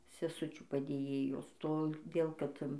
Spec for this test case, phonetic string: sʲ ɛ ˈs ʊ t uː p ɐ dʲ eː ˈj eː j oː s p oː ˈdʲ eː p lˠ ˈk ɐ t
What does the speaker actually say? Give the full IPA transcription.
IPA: sʲ ɛ ˈs ʊ t͡ʃʲ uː p ɐ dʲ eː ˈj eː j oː s t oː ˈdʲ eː lˠ ˈk ɐ t